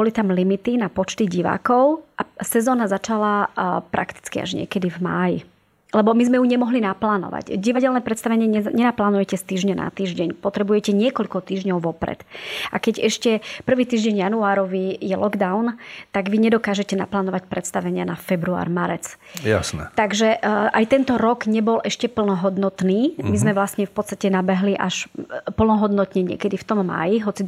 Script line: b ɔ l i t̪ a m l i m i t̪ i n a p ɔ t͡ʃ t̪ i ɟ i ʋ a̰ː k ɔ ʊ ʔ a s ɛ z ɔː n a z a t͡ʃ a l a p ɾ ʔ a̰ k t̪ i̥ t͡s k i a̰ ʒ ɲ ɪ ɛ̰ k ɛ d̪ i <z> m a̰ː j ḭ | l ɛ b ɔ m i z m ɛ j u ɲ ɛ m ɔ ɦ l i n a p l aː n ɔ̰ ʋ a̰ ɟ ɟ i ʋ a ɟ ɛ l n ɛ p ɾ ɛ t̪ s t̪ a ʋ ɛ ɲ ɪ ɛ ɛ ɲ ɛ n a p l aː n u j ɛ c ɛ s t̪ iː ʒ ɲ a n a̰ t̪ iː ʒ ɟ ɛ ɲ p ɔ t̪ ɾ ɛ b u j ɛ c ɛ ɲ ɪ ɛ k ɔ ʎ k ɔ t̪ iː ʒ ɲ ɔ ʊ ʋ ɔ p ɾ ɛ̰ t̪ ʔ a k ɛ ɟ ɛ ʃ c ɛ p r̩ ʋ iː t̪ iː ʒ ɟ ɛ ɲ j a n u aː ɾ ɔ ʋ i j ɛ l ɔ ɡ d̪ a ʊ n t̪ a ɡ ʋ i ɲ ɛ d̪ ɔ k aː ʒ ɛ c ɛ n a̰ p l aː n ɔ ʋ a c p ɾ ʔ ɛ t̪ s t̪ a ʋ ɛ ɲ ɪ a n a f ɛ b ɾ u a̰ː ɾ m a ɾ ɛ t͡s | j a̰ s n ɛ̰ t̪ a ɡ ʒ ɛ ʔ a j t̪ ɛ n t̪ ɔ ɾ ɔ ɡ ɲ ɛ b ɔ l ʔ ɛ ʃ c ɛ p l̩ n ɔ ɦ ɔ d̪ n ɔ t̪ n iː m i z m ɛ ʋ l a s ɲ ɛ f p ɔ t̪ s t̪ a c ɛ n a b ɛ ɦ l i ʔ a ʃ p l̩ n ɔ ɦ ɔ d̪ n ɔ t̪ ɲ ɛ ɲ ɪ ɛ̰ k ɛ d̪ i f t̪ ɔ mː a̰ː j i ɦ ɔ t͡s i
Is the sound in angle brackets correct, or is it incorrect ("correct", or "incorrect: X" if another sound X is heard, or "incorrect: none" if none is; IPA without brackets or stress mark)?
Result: incorrect: v